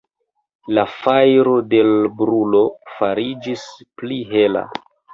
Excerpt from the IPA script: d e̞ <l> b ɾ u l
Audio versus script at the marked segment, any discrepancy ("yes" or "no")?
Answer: no